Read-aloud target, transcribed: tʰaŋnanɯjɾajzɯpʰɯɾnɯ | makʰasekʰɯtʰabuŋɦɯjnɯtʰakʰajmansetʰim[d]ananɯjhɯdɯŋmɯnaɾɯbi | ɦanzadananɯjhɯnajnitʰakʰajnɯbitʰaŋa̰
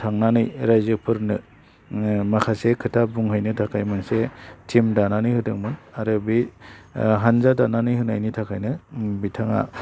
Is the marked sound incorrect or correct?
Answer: correct